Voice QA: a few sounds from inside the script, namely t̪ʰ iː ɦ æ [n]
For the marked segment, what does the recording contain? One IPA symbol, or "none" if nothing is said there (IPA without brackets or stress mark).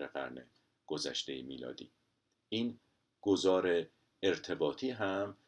m